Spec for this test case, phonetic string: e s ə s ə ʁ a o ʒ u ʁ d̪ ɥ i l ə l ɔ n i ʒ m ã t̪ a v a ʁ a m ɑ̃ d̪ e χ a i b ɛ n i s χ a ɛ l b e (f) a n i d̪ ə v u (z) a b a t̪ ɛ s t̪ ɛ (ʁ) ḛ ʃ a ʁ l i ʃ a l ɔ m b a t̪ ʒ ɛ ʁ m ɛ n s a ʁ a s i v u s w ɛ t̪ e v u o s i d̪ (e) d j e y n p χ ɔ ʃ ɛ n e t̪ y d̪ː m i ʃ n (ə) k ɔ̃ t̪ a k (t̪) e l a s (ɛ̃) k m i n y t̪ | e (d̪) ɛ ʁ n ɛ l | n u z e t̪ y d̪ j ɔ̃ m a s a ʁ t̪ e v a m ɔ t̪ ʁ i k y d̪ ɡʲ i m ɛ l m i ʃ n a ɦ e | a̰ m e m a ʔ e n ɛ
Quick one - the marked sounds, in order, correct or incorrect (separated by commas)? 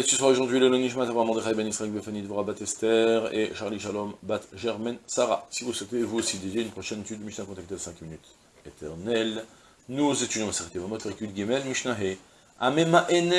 correct, incorrect, correct, correct, incorrect, correct, correct, incorrect